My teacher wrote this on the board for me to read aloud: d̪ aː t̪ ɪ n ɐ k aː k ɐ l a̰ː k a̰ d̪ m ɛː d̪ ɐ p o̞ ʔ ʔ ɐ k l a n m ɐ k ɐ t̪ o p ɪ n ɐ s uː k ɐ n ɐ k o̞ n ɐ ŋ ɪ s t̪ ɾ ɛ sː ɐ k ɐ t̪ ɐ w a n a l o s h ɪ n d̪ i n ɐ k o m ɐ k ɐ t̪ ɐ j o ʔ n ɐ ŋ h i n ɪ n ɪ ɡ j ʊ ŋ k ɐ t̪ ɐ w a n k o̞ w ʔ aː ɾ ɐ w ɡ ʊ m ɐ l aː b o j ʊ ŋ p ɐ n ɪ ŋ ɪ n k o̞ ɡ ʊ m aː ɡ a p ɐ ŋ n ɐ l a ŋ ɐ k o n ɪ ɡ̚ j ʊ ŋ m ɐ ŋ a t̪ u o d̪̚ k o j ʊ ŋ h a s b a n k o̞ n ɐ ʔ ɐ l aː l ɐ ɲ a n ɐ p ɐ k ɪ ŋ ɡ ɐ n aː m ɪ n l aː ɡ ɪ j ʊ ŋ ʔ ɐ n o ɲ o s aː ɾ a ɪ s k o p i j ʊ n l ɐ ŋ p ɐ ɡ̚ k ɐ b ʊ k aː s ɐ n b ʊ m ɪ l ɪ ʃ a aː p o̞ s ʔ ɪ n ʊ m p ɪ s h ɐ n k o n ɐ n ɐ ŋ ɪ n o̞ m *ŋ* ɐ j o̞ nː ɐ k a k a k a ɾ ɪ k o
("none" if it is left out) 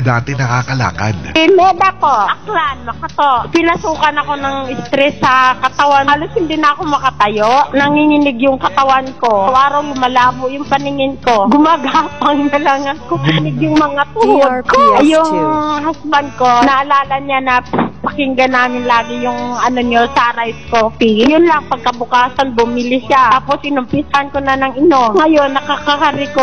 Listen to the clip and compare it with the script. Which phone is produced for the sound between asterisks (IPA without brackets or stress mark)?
ŋ